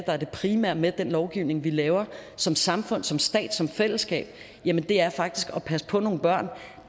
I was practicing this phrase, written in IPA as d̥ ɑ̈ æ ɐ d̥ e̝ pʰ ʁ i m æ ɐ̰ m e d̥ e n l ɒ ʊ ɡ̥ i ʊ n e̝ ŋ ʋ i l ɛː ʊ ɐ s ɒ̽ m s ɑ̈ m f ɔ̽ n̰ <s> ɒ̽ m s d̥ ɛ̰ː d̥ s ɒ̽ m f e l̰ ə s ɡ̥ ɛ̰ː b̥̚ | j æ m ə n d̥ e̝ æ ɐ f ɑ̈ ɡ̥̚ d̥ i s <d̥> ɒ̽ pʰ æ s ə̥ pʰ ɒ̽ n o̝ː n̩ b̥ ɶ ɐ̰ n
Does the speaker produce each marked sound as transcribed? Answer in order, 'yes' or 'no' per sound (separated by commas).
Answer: yes, no